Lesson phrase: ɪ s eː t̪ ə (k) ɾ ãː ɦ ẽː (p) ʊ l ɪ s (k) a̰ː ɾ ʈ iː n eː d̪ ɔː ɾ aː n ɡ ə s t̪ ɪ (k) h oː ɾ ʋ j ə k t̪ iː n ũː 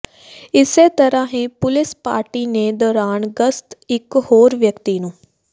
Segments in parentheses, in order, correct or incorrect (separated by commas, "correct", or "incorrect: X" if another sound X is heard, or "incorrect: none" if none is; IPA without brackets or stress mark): incorrect: none, correct, incorrect: p, correct